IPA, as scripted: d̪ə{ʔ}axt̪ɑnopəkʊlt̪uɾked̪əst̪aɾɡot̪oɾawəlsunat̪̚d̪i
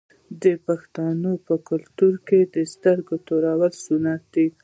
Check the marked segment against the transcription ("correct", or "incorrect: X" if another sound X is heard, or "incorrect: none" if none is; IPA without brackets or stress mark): incorrect: p